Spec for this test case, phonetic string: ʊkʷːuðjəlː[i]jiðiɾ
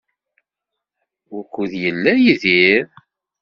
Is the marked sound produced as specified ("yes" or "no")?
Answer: no